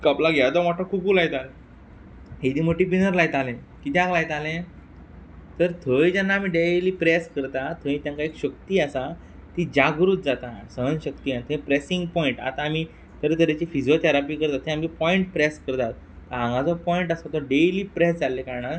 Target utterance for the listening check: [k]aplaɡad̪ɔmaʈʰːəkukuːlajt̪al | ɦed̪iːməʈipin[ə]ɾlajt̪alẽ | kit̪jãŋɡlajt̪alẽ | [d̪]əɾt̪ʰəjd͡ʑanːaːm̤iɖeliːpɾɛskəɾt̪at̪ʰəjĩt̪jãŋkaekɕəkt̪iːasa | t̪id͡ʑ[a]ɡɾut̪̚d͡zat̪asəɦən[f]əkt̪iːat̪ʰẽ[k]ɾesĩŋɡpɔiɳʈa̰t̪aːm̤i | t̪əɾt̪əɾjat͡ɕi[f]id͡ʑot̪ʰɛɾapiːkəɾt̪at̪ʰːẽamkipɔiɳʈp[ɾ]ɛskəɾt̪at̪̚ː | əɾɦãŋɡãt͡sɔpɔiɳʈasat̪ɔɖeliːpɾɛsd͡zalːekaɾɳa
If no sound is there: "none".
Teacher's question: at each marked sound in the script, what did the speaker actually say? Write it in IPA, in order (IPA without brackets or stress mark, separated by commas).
k, ə, t̪, a, ɕ, p, f, ɾ